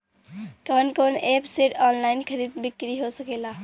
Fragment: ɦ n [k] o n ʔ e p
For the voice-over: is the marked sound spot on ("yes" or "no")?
yes